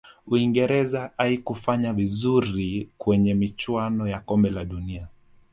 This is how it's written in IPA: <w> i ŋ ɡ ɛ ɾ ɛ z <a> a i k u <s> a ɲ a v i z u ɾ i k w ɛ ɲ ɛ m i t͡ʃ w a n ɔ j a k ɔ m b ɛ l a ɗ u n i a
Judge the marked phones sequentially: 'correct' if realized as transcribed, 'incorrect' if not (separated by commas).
incorrect, correct, incorrect